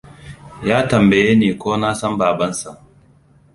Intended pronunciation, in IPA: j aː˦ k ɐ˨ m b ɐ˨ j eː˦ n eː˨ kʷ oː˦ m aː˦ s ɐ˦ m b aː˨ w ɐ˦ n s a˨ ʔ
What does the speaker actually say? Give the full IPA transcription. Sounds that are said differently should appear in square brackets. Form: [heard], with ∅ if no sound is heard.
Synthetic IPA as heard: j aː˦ [t] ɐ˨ m b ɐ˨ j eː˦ n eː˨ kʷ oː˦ [n] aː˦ s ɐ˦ m b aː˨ [b] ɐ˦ n s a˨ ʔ